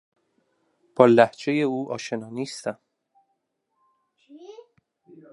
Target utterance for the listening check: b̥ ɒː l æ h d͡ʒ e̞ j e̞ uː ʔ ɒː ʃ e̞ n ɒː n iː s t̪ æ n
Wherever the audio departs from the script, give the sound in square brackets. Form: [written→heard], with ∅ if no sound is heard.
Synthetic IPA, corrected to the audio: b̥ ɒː l æ h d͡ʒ e̞ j e̞ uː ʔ ɒː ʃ e̞ n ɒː n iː s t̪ æ [n→m]